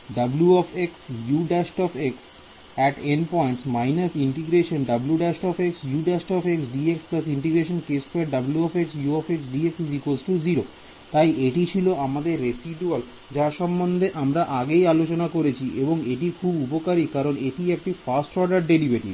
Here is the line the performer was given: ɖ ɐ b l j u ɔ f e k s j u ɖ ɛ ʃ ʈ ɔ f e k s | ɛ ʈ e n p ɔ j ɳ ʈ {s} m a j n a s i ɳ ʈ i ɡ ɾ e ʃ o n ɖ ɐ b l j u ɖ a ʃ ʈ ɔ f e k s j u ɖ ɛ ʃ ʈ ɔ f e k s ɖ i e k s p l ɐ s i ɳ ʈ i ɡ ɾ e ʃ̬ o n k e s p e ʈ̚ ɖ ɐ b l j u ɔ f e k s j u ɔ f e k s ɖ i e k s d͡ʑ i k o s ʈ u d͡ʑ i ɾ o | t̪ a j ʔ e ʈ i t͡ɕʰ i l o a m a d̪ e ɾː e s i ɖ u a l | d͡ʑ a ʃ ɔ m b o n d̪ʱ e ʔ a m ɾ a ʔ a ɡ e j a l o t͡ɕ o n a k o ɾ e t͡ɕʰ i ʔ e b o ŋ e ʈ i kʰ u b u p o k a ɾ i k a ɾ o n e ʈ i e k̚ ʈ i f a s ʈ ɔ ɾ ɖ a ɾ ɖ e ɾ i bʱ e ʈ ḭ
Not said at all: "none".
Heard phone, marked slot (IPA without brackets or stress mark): s